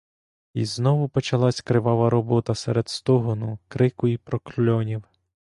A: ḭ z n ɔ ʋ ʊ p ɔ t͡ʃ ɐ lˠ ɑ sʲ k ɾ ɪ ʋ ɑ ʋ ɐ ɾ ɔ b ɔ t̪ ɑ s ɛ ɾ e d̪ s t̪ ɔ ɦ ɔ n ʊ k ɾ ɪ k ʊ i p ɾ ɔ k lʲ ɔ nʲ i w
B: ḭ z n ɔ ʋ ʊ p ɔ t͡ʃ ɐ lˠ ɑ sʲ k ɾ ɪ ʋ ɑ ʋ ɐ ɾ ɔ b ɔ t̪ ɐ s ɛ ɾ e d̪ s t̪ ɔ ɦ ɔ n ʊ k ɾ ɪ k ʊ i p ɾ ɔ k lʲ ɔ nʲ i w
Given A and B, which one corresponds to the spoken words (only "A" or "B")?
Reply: B